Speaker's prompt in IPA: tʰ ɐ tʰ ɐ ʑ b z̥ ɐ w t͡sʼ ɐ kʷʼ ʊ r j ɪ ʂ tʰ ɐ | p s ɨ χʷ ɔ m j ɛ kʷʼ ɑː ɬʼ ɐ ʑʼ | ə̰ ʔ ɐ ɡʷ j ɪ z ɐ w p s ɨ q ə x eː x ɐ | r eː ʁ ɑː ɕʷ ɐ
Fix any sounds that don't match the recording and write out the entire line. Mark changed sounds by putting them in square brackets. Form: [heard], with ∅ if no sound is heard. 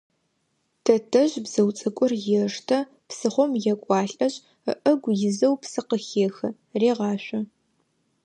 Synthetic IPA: tʰ ɐ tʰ ɐ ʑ b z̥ ɐ w t͡sʼ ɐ kʷʼ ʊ r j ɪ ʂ tʰ ɐ | p s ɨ χʷ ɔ m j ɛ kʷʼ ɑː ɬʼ ɐ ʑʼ | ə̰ ʔ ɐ ɡʷ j ɪ z ɐ w p s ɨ q ə x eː x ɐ | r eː ʁ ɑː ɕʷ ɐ

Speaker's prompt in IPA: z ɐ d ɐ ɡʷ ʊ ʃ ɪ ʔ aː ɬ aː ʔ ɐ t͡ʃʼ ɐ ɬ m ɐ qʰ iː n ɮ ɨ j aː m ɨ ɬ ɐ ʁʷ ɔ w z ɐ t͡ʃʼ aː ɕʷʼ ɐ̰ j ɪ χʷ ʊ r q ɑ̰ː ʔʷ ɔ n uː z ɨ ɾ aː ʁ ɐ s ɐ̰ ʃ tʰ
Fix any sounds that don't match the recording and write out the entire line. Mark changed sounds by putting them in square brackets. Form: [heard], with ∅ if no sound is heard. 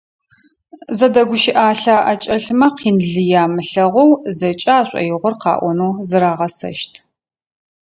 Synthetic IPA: z ɐ d ɐ ɡʷ ʊ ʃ ɪ ʔ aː ɬ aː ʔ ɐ t͡ʃʼ ɐ ɬ m ɐ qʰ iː n ɮ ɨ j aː m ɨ ɬ ɐ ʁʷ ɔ w z ɐ t͡ʃʼ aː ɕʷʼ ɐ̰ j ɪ [ʁʷ] ʊ r q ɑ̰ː ʔʷ ɔ n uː z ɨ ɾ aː ʁ ɐ s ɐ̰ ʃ tʰ

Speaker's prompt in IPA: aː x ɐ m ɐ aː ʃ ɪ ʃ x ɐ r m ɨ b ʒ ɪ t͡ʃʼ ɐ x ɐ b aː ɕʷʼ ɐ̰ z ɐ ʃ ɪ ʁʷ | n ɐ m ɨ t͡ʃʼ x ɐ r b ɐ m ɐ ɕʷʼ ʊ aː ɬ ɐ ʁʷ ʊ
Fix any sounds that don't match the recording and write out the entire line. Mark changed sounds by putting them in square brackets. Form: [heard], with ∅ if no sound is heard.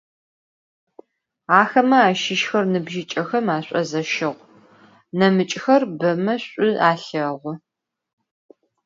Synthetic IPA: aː x ɐ m ɐ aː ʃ ɪ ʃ x ɐ r [n] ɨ b ʒ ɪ t͡ʃʼ ɐ x ɐ [m] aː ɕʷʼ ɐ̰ z ɐ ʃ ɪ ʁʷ | n ɐ m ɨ t͡ʃʼ x ɐ r b ɐ m ɐ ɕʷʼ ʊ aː ɬ ɐ ʁʷ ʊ

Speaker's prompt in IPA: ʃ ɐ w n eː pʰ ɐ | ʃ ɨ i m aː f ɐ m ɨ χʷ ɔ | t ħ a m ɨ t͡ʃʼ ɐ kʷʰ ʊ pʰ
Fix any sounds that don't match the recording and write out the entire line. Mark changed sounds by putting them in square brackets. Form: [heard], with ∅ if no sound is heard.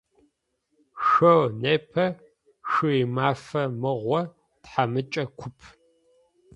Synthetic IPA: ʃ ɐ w n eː pʰ ɐ | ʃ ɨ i m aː f ɐ m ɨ [ʁʷ] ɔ | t ħ a m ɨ t͡ʃʼ ɐ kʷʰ ʊ pʰ

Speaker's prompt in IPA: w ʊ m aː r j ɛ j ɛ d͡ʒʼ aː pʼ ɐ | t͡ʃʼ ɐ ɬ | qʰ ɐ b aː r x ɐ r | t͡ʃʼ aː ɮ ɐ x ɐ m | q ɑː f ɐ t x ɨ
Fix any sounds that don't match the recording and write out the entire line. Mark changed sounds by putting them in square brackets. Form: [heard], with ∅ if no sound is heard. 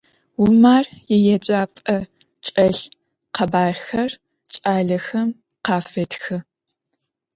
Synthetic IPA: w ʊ m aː r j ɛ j ɛ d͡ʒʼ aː pʼ ɐ | t͡ʃʼ ɐ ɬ | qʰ ɐ b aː r x ɐ r | t͡ʃʼ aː ɮ ɐ x ɐ m | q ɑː f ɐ t x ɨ

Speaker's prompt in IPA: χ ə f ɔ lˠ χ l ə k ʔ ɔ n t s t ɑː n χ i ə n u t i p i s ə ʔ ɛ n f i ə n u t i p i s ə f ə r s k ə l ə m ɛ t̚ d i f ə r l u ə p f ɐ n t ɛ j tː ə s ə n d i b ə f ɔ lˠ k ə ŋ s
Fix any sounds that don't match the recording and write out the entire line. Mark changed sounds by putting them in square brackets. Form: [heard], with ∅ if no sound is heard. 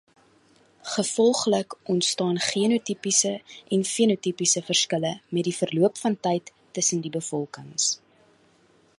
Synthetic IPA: χ ə f ɔ lˠ χ l ə k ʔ ɔ n t s t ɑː n χ i ə n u t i p i s ə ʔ ɛ n f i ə n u t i p i s ə f ə r s k ə l ə m ɛ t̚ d i f ə r l u ə p f ɐ n t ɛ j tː ə s ə n d i b ə f ɔ lˠ k ə ŋ s

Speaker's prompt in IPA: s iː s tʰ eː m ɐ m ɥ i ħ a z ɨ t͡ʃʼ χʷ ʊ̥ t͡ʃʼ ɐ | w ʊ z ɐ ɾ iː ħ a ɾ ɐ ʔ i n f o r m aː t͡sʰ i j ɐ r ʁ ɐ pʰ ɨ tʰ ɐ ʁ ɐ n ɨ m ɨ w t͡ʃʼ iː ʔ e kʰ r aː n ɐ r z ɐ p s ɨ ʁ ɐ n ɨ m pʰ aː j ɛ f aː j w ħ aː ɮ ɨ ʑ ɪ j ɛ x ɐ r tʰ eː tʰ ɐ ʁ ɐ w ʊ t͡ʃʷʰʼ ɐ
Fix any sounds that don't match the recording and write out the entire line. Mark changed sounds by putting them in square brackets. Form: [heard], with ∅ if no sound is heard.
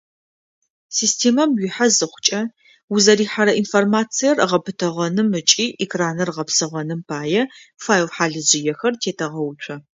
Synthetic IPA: s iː s tʰ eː m ɐ m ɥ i ħ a z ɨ [∅] χʷ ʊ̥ t͡ʃʼ ɐ | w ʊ z ɐ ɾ iː ħ a ɾ ɐ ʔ i n f o r m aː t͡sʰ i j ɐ r ʁ ɐ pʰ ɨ tʰ ɐ ʁ ɐ n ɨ m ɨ [∅] t͡ʃʼ iː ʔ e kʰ r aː n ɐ r [ʁ] ɐ p s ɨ ʁ ɐ n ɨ m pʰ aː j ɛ f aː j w ħ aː ɮ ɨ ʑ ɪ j ɛ x ɐ r tʰ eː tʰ ɐ ʁ ɐ w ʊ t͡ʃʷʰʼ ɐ

